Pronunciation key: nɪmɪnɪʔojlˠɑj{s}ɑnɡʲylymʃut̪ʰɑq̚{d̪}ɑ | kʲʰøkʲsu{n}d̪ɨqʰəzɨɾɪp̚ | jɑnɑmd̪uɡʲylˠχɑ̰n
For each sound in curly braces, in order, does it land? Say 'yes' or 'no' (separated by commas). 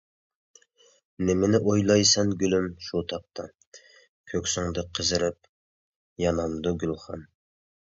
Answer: yes, no, no